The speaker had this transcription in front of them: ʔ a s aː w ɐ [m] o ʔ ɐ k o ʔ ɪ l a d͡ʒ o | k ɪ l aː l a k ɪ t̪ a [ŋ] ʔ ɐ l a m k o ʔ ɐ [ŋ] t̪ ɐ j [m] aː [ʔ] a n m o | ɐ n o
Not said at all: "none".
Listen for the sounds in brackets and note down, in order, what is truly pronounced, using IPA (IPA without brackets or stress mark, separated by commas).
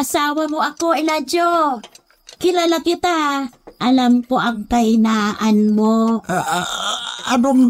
m, none, ŋ, n, ʔ